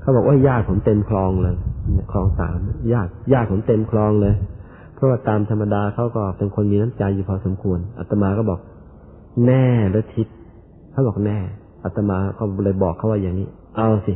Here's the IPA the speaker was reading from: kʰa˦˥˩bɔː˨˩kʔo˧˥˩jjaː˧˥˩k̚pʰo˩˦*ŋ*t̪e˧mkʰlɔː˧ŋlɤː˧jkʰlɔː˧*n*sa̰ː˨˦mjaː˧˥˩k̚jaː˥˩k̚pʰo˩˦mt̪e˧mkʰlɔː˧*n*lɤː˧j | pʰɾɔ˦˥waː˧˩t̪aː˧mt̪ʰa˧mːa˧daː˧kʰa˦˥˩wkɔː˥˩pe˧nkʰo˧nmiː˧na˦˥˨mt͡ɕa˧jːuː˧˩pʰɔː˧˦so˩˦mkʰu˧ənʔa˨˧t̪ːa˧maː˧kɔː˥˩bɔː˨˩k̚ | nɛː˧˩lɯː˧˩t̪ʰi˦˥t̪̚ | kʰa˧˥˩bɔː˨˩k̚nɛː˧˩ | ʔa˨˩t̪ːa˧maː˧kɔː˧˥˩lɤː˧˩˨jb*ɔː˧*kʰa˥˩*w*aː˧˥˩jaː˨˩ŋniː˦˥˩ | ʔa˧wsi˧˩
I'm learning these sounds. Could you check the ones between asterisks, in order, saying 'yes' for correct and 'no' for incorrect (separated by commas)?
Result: no, no, no, no, yes